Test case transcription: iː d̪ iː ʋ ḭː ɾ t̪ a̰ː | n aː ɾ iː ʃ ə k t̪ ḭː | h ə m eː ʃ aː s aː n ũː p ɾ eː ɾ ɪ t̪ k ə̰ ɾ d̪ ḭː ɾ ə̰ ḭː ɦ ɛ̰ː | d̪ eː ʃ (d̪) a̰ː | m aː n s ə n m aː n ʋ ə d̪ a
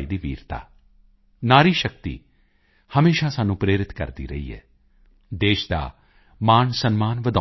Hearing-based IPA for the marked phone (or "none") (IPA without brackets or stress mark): d̪